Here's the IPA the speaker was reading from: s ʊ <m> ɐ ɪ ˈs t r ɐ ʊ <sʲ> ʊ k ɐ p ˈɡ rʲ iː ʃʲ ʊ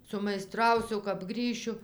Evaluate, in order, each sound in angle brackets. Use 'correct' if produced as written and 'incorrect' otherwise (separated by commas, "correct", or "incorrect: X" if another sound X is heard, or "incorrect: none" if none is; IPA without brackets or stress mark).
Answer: correct, correct